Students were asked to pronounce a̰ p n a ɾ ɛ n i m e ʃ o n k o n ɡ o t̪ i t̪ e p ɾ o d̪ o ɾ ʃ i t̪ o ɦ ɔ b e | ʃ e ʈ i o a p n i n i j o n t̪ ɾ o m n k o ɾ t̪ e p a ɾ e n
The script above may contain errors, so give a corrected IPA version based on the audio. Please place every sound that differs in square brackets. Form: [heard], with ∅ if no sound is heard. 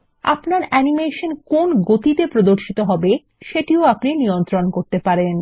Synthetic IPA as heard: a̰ p n a ɾ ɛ n i m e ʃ o n k o n ɡ o t̪ i t̪ e p ɾ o d̪ o ɾ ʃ i t̪ o ɦ ɔ b e | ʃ e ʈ i o a p n i n i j o n t̪ ɾ o [∅] n k o ɾ t̪ e p a ɾ e n

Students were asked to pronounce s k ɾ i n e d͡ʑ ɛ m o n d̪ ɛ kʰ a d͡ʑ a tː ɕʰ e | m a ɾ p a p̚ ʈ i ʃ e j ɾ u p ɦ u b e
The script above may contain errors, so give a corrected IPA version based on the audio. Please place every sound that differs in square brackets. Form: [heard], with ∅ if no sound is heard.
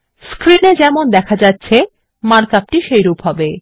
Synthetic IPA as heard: s k ɾ i n e d͡ʑ ɛ m o n d̪ ɛ kʰ a d͡ʑ a tː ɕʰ e | m a ɾ [k] a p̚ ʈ i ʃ e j ɾ u p ɦ [ɔ] b e

